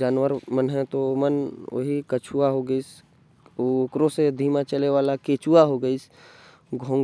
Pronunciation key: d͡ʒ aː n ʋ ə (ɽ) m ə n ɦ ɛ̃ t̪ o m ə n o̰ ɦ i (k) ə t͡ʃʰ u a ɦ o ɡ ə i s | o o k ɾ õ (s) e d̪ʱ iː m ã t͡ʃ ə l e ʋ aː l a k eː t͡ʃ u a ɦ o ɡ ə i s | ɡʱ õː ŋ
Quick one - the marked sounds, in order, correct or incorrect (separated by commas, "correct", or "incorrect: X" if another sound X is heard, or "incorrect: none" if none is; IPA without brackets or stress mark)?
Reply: incorrect: ɾ, correct, correct